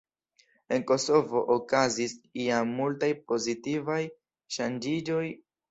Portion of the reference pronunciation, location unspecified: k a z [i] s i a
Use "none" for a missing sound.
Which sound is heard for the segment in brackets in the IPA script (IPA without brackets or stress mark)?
i